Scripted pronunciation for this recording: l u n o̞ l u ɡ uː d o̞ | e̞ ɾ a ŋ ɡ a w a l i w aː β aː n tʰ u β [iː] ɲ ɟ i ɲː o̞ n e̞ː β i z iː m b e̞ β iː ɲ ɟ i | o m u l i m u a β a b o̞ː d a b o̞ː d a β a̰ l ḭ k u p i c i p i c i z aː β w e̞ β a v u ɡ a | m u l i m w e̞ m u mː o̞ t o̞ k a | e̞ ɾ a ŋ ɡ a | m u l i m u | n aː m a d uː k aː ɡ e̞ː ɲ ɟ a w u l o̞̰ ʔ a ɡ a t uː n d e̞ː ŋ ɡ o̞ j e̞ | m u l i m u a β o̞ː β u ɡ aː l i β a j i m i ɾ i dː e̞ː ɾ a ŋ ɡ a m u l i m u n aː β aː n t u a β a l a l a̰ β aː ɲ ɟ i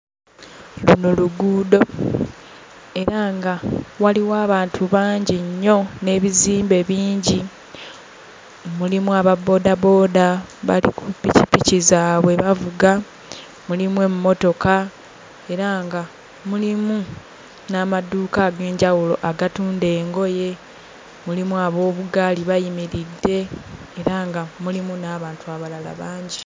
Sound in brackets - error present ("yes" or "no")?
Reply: yes